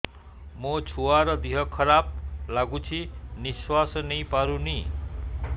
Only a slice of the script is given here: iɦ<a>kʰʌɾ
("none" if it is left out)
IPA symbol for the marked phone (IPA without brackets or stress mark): ʌ